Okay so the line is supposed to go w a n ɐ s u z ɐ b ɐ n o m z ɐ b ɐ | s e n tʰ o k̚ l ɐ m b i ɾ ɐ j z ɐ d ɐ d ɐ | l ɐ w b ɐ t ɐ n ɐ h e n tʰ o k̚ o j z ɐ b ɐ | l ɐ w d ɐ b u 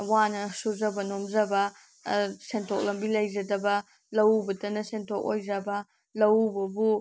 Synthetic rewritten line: w a n ɐ s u z ɐ b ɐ n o m z ɐ b ɐ | s e n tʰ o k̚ l ɐ m b i l ɐ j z ɐ d ɐ b ɐ | l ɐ w b ɐ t ɐ n ɐ s e n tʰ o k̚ o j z ɐ b ɐ | l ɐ w b ɐ b u